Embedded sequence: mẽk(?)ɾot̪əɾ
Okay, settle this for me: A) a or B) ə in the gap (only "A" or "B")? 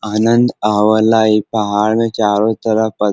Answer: A